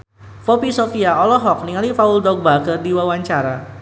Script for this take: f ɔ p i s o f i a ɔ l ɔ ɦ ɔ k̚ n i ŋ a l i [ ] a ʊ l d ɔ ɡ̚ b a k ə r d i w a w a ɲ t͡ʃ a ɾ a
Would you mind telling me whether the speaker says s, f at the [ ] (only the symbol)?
f